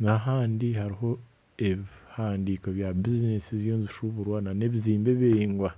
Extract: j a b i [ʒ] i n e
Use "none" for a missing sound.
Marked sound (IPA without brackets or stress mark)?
z